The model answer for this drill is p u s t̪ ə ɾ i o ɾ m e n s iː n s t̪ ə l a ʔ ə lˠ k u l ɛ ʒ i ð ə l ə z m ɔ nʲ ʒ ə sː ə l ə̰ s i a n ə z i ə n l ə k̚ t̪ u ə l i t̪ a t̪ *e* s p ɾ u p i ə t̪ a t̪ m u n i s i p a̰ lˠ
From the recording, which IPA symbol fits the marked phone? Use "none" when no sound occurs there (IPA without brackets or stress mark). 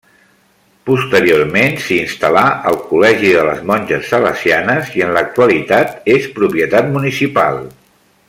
e